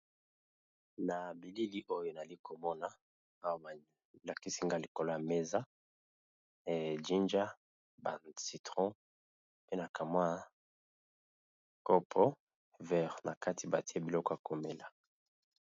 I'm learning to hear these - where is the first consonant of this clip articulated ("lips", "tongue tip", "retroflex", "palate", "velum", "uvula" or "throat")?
tongue tip